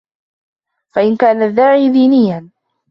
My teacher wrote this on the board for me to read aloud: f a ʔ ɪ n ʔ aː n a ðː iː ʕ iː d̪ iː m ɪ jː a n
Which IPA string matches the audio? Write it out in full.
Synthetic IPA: f a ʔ ɪ n k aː n a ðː aː ʕ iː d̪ iː n ɪ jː a n